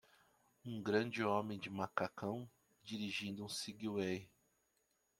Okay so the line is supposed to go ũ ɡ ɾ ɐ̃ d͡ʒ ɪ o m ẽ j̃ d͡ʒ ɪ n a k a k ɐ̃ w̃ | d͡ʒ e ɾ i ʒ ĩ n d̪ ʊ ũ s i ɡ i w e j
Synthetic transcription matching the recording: ũ ɡ ɾ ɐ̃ d͡ʒ ɪ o m ẽ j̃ d͡ʒ ɪ m a k a k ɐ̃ w̃ | d͡ʒ i ɾ i ʒ ĩ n d̪ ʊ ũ s i ɡ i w e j